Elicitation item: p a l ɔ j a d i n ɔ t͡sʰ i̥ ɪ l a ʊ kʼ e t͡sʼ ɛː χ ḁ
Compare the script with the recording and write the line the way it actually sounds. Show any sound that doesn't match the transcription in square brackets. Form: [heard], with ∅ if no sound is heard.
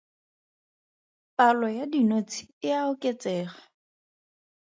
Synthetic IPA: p a l ɔ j a d i n [o] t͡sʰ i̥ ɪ [∅] a ʊ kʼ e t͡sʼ ɛː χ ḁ

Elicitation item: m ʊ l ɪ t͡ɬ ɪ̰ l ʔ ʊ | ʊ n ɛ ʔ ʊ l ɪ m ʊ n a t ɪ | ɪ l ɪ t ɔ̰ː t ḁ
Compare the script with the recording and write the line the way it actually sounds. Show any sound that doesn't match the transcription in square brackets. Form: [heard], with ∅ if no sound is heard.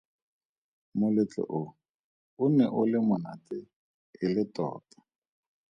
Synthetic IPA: m ʊ l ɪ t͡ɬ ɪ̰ [∅] ʔ ʊ | ʊ n ɛ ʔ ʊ l ɪ m ʊ n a t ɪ | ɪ l ɪ t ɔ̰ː t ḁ

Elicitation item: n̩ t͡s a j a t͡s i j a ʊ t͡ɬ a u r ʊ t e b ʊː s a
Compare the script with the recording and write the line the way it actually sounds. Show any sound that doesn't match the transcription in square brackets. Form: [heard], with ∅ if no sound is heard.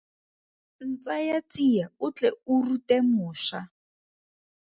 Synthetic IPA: n̩ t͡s a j a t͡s i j a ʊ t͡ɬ [ɛ] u r [u] t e [m] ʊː [ʃ] a

